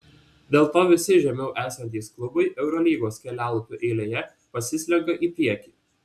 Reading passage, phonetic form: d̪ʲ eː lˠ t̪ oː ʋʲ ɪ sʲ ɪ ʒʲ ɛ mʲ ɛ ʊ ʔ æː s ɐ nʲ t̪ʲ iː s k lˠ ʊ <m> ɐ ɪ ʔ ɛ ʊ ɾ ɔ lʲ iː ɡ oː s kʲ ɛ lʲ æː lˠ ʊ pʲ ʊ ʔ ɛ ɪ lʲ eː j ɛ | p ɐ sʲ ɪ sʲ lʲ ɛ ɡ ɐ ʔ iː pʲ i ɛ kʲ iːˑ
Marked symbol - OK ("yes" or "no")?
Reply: no